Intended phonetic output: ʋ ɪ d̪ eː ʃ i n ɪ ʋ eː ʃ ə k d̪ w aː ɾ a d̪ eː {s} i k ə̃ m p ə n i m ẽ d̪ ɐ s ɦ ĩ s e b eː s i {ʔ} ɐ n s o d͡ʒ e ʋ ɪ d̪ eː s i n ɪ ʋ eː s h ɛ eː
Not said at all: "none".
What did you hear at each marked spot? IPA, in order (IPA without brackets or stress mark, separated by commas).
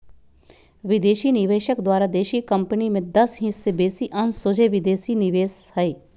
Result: ʃ, ʔ